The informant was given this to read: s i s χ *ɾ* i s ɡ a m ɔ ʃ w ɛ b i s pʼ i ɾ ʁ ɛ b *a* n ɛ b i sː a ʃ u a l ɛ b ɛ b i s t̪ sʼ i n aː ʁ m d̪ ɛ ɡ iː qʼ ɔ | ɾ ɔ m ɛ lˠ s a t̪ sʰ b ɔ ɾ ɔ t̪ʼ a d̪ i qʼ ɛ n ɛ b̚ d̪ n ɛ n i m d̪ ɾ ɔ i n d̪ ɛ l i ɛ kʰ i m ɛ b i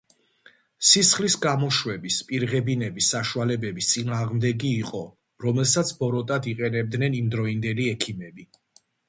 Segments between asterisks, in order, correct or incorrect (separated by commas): incorrect, incorrect